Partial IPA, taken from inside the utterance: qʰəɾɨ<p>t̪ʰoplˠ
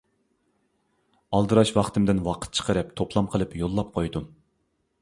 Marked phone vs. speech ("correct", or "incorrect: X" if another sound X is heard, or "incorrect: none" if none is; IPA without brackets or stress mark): correct